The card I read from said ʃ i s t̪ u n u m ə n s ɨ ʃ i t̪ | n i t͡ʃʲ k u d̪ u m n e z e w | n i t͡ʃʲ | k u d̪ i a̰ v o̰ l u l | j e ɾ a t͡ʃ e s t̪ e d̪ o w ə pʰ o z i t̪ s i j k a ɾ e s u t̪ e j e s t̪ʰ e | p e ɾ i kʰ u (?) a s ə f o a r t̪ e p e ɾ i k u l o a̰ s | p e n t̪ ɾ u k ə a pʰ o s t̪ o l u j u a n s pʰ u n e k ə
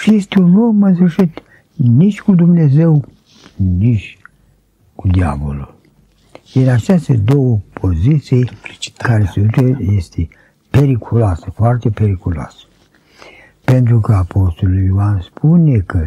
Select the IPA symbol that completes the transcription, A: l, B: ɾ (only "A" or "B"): A